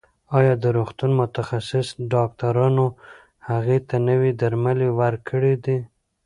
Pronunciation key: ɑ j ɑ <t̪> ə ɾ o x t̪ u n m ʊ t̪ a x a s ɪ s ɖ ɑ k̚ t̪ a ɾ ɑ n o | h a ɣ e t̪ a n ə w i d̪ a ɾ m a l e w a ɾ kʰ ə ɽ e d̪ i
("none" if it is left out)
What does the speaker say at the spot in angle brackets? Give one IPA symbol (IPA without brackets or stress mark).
d̪